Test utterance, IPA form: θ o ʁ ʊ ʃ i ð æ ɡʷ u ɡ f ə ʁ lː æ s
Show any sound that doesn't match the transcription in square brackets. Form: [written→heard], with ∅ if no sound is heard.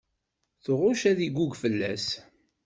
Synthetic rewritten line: θ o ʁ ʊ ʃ [i→æ] ð [æ→i] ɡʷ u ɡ f ə [ʁ→∅] lː æ s